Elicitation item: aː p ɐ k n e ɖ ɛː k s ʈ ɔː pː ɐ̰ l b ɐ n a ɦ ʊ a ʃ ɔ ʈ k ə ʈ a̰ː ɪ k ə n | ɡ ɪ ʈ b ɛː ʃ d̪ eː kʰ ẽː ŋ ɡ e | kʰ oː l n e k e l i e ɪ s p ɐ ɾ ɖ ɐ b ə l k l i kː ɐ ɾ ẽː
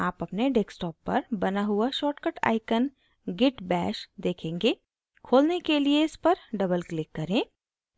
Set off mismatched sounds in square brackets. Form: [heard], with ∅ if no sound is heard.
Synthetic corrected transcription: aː p ɐ [p] n e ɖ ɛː k s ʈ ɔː pː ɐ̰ [ɾ] b ɐ n a ɦ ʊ a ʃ [ɔː] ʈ k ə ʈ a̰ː ɪ k ə n | ɡ ɪ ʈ b ɛː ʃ d̪ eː kʰ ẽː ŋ ɡ e | kʰ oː l n e k e l i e ɪ s p ɐ ɾ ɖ ɐ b ə l k l [ɪ] kː ɐ ɾ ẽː